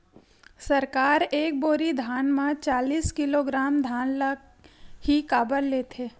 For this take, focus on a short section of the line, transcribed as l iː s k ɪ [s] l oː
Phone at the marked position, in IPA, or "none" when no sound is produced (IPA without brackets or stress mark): none